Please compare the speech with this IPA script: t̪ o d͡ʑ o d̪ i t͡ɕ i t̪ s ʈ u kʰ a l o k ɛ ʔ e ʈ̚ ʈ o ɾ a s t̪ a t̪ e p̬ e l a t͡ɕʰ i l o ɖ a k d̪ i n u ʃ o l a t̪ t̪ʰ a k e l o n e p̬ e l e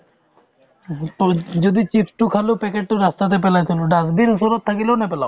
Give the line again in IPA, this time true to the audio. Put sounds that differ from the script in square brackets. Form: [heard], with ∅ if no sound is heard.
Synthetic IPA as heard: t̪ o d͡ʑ o d̪ i t͡ɕ i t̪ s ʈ u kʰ a l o [p] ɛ [k] e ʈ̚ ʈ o ɾ a s t̪ a t̪ e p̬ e l a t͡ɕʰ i l o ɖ a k d̪ i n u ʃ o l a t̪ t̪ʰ a k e l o n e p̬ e l [a]